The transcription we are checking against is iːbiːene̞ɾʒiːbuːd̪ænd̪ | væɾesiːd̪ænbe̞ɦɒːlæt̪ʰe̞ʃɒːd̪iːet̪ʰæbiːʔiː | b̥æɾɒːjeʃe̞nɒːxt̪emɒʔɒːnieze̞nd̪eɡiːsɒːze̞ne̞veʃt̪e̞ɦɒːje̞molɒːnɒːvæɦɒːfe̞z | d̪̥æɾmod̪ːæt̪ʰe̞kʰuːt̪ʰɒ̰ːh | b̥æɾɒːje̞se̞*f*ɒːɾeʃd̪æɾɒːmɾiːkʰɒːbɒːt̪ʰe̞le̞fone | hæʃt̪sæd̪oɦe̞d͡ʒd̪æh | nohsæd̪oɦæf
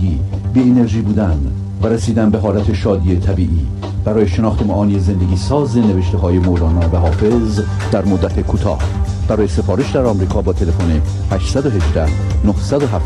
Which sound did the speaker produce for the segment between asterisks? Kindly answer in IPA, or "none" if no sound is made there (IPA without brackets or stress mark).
f